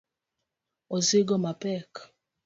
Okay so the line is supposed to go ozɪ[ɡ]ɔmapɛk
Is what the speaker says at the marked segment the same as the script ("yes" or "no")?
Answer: yes